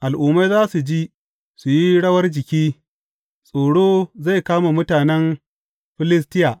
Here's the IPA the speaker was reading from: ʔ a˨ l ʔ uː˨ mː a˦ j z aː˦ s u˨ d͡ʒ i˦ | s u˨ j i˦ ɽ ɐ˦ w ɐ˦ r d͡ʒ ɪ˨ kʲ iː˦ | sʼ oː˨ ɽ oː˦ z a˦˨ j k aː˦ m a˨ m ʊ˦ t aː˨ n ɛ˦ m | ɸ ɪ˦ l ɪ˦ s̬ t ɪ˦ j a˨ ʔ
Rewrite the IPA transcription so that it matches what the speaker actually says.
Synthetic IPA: ʔ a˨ l ʔ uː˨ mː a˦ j z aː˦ s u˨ d͡ʒ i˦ | s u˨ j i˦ ɽ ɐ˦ w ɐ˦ r d͡ʒ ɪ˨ kʲ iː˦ | sʼ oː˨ ɽ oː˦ z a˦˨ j k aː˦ m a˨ m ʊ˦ t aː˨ n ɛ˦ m | ɸ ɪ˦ l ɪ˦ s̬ t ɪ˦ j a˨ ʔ